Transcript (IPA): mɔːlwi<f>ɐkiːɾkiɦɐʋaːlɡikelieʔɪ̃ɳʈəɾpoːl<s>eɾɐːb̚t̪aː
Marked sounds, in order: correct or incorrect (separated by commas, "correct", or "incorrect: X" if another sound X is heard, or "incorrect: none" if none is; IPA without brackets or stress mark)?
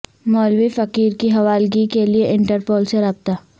correct, correct